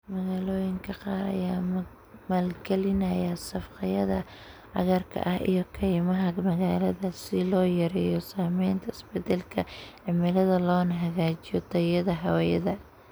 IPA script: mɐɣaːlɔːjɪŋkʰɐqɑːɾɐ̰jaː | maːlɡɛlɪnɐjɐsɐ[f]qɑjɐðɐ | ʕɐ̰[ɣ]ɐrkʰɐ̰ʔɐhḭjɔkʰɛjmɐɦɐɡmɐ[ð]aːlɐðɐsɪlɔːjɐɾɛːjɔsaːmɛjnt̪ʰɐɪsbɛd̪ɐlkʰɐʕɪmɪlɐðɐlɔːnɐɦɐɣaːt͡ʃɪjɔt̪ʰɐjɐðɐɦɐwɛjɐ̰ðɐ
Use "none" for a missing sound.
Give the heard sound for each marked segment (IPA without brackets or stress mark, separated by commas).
f, ɣ, ɣ